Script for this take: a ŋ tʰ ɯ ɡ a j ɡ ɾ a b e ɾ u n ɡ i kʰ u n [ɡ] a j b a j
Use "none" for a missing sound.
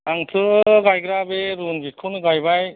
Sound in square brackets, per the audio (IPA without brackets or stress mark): ɡ